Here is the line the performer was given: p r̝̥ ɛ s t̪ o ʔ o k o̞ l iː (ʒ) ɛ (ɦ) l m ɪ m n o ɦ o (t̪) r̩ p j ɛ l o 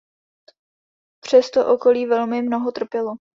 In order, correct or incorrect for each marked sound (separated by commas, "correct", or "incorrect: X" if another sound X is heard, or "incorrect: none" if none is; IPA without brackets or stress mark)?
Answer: incorrect: v, incorrect: none, correct